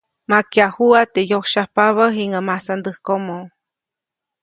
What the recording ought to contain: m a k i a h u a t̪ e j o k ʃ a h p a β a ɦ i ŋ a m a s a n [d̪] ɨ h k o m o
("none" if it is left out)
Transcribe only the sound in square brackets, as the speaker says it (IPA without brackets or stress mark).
d̪